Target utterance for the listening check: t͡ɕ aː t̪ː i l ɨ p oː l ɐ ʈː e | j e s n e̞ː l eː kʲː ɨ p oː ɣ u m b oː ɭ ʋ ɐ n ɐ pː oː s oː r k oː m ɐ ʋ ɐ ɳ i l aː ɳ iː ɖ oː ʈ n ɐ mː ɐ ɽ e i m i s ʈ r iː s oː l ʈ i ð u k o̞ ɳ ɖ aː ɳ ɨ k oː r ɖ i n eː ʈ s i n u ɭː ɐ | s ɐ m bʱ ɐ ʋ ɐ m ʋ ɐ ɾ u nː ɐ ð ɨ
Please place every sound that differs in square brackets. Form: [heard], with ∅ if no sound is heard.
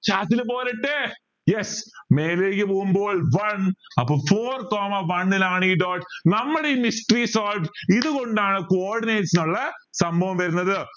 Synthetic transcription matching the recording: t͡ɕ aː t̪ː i l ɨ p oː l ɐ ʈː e | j e s [m] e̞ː l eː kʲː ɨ p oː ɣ u m b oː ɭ ʋ ɐ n ɐ pː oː [f] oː r k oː m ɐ ʋ ɐ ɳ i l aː ɳ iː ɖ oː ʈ n ɐ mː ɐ ɽ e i m i s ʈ r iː s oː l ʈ i ð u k o̞ ɳ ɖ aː ɳ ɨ k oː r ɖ i n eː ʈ s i n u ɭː ɐ | s ɐ m bʱ ɐ ʋ ɐ m ʋ ɐ ɾ u nː ɐ ð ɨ